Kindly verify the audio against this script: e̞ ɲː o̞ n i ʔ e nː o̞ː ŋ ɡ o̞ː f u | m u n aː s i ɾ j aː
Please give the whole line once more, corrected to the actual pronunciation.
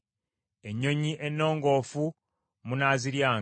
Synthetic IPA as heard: e̞ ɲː o̞ ɲ i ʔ e nː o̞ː ŋ ɡ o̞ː f u | m u n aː z i ɾ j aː